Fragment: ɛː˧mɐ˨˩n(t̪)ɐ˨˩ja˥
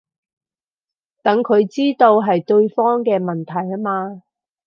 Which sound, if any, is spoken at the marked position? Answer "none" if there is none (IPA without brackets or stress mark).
t̪ʰ